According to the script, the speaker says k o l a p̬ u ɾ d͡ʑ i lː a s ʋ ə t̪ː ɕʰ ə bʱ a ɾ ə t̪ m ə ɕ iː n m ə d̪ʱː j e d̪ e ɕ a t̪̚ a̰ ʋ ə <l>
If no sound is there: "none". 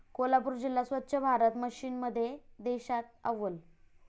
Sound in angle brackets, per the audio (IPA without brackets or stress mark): l